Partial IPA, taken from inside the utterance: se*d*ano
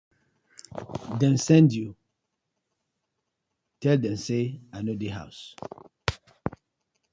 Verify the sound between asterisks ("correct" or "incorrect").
incorrect